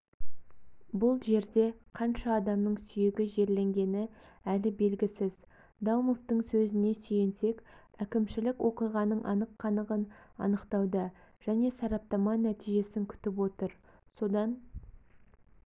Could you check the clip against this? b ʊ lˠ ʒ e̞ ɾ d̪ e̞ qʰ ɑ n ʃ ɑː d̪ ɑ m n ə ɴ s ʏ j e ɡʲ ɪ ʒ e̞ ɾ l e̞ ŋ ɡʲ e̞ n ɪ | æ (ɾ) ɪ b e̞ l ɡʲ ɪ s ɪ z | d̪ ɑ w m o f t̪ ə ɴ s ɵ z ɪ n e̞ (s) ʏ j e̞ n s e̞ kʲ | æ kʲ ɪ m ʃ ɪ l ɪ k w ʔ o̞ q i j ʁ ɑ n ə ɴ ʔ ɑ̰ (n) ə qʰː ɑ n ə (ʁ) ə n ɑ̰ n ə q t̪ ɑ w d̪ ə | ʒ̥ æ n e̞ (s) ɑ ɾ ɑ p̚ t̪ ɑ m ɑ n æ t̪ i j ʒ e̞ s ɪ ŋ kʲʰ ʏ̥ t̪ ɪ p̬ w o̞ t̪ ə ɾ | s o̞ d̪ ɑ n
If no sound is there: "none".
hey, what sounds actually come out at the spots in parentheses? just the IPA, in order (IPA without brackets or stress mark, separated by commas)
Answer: l, s, n, ʁ, s